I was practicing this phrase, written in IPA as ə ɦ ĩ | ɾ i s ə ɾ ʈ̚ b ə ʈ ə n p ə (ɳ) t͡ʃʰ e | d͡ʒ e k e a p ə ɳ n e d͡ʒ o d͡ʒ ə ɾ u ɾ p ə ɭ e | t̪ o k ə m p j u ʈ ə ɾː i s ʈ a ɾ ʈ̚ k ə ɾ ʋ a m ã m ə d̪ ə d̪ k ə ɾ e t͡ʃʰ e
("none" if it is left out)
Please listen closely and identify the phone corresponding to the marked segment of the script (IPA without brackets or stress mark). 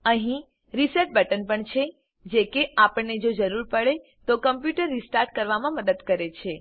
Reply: ɳ